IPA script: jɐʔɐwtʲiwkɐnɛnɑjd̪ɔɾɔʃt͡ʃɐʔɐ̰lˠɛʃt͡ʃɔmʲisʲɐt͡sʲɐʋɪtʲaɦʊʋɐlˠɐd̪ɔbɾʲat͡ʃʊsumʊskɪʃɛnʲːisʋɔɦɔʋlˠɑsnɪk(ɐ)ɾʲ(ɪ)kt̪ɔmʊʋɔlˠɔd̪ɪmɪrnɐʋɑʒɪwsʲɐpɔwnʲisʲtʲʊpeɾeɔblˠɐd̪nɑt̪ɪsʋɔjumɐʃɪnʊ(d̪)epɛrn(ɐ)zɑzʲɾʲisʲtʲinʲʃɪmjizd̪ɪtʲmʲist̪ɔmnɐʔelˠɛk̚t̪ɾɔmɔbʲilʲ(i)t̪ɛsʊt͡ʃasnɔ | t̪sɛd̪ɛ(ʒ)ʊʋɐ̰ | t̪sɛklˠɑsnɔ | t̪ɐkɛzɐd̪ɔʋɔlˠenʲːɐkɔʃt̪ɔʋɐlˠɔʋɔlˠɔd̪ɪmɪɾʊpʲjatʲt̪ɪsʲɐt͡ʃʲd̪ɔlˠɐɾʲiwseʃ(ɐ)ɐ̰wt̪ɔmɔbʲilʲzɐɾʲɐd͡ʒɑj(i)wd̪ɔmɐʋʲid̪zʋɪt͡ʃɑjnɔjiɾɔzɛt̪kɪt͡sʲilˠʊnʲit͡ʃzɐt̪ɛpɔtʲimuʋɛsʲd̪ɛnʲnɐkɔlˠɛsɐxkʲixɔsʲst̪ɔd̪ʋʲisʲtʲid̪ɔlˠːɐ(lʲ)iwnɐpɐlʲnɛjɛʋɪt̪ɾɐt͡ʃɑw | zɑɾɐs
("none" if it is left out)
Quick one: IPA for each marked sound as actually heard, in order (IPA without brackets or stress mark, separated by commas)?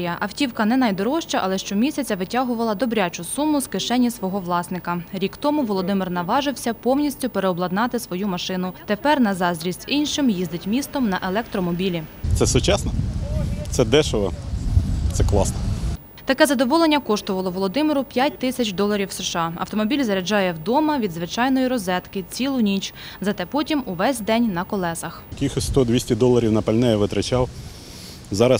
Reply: ɐ, i, t̪, ɐ, i, ʃ, ɑ, ɛ, ɾʲ